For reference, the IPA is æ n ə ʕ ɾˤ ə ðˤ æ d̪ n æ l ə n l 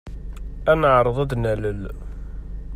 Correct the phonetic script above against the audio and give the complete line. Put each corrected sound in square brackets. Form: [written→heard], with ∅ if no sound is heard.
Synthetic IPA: æ n ə ʕ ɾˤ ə ðˤ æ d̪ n æ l ə [n→∅] l